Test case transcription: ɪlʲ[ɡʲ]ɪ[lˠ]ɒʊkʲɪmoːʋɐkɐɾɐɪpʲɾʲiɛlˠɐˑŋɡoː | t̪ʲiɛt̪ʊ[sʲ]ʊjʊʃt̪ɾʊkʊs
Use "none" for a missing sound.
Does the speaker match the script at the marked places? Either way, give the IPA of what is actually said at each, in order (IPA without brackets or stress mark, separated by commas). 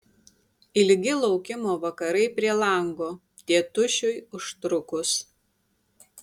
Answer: ɡʲ, lˠ, ʃʲ